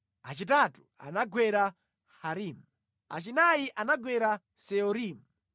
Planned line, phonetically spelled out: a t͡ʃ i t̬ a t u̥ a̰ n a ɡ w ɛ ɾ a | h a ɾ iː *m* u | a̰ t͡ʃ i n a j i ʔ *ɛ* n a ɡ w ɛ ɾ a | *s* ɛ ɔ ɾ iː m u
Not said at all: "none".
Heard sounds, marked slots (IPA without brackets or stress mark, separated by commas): m, a, s